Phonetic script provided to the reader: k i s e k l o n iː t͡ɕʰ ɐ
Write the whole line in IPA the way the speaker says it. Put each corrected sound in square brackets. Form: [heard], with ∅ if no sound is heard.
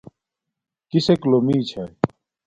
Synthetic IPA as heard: k i s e k l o [m] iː t͡ɕʰ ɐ